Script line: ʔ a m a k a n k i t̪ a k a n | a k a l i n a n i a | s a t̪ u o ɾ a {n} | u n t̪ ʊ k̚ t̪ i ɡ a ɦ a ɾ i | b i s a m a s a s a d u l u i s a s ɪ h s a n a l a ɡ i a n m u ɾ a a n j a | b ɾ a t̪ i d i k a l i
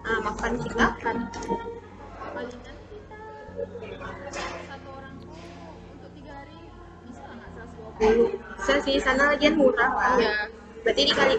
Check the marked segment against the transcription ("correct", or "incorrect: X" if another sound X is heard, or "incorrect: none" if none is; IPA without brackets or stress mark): incorrect: ŋ